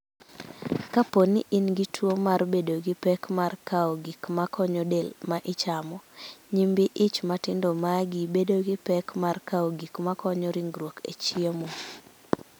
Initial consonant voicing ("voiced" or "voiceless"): voiceless